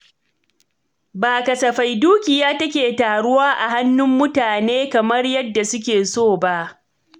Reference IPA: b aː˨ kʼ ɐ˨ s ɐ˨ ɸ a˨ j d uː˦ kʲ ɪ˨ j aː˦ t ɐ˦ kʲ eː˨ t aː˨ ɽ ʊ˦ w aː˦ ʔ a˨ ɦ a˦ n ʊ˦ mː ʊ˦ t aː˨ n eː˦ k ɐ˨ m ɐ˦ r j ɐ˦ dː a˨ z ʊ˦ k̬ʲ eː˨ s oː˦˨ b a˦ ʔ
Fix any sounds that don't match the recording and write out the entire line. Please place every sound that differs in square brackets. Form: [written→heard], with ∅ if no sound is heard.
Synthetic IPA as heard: b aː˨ [kʼ→k] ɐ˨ s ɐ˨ ɸ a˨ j d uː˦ kʲ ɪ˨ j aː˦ t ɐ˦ kʲ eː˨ t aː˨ ɽ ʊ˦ w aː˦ ʔ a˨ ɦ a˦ [n→nː] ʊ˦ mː ʊ˦ t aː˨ n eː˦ k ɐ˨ m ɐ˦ r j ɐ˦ dː a˨ [z→s] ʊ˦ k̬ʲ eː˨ s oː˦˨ b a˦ ʔ